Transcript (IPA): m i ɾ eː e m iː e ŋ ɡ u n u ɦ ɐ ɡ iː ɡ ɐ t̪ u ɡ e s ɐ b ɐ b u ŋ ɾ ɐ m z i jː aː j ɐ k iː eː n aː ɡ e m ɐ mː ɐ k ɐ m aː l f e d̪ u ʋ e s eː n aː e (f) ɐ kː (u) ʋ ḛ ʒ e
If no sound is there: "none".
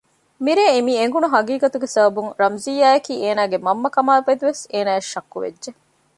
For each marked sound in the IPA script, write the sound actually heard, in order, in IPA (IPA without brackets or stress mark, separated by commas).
ʃ, u